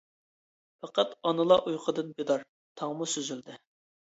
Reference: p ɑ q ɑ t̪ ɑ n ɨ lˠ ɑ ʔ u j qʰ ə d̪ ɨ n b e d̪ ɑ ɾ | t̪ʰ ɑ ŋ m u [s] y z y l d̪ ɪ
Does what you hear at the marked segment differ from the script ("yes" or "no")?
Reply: no